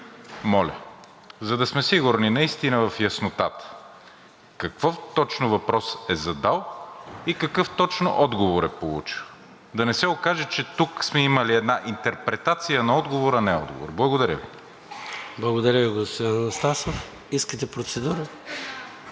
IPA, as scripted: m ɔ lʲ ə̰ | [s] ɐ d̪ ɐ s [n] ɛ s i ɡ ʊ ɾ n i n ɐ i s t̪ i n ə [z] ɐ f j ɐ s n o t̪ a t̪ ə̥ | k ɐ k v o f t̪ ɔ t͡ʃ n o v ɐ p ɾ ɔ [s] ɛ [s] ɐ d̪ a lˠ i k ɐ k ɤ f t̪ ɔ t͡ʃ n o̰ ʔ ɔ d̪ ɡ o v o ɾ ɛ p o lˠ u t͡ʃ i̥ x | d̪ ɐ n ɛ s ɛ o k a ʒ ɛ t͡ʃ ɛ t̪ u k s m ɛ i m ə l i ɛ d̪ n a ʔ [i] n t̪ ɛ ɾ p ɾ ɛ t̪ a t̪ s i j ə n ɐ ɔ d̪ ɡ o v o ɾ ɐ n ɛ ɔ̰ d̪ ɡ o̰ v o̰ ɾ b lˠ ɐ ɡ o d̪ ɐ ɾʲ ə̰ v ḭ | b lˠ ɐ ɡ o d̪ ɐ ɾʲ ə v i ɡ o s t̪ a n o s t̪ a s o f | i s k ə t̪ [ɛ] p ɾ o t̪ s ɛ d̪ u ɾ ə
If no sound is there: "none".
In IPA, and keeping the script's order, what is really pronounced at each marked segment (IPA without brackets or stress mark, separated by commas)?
z, m, v, s, z, i, ɛ